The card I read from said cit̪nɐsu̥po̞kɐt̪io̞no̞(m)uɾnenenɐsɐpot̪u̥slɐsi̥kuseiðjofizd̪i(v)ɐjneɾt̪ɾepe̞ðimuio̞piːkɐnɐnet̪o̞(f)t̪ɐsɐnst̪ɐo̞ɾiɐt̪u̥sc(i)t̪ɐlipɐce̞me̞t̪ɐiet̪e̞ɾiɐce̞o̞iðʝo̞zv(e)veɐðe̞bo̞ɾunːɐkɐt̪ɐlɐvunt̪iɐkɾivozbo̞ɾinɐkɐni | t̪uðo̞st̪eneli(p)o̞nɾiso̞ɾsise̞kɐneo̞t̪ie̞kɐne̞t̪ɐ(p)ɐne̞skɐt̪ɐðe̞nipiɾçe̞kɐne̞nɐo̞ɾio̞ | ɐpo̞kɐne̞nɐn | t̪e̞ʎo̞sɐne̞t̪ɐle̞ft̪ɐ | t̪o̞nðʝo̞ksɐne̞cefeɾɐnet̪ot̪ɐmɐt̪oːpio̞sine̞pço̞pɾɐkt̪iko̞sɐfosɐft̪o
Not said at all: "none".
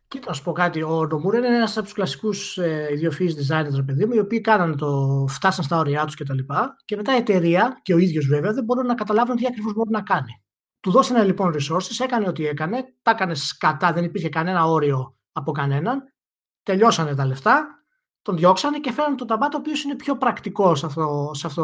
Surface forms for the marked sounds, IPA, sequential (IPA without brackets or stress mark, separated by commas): m, z, f, e, e, p, k